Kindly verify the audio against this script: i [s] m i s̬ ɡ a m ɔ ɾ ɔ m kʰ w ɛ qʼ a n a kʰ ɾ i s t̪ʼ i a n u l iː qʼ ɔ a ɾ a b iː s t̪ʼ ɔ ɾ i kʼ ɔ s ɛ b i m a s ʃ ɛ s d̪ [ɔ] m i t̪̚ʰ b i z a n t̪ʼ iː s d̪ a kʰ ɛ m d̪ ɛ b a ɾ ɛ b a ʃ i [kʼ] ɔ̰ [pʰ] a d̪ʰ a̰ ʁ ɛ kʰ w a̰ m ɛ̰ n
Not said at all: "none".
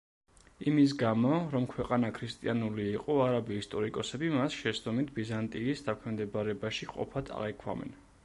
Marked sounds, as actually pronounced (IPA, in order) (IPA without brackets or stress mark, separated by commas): none, ɔ, qʼ, pʰ